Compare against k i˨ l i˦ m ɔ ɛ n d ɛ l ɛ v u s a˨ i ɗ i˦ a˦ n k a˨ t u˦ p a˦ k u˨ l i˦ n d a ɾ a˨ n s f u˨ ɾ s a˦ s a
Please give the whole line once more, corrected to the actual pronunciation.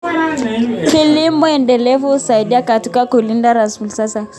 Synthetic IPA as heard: k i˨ l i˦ m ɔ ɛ n d ɛ l ɛ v u s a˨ i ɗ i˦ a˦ k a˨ t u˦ k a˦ k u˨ l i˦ n d a ɾ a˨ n s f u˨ l s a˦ s a